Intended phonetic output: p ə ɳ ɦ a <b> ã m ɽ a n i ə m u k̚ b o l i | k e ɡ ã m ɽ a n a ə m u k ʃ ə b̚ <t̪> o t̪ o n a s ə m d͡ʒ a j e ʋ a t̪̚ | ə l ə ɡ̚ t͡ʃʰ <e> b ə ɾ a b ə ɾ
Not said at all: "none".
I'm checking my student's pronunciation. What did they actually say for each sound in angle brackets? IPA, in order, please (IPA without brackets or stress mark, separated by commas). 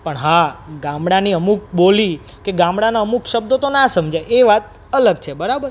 ɡ, d̪, e